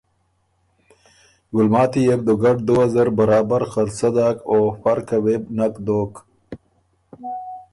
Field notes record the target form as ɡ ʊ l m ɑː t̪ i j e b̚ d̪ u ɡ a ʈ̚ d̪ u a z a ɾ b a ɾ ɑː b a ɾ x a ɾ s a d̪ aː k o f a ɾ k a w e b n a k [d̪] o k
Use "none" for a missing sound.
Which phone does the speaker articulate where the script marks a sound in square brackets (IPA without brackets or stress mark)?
d̪